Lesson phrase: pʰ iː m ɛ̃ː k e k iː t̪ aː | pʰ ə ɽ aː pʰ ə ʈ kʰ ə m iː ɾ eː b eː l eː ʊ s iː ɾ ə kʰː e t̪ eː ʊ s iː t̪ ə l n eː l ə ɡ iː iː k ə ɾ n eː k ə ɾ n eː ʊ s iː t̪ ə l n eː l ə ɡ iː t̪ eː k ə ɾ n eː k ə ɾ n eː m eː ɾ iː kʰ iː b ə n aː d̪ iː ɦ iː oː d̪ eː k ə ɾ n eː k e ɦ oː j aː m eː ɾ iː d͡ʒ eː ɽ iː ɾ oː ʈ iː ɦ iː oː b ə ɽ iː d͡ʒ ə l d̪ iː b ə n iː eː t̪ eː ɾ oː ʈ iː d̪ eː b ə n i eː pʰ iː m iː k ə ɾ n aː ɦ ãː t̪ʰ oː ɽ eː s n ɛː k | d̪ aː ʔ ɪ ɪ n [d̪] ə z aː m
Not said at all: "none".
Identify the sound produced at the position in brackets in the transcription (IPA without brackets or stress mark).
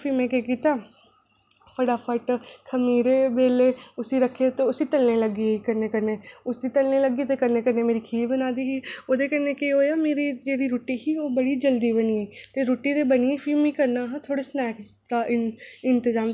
t̪